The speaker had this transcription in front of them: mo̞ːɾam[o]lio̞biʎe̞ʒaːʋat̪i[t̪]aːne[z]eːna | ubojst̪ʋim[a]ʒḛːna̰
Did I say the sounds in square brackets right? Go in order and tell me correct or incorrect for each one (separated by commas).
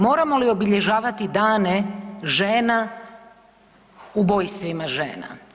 correct, incorrect, incorrect, correct